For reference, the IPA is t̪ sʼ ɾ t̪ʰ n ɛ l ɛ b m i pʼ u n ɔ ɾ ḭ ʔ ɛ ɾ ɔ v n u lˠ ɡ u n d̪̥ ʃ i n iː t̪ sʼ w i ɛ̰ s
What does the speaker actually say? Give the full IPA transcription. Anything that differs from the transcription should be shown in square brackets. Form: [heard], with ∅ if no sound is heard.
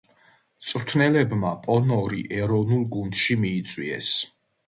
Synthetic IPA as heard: t̪ sʼ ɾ t̪ʰ n ɛ l ɛ b m [a] pʼ [ɔ] n ɔ ɾ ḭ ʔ ɛ ɾ ɔ v n u lˠ ɡ u n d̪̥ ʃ i [m] iː t̪ sʼ w i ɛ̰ s